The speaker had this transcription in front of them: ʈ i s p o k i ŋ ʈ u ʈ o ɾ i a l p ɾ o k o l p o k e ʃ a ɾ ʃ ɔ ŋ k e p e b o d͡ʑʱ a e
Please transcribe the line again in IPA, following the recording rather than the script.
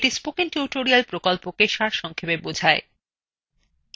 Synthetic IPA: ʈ i s p o k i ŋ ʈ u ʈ o ɾ i a l p ɾ o k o l p o k e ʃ a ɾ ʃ ɔ ŋ kʰ e p e b o d͡ʑʱ a e

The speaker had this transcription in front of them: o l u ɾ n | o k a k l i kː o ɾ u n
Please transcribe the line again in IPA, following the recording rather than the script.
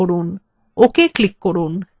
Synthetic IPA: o ɾ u n | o k e k l i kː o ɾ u n

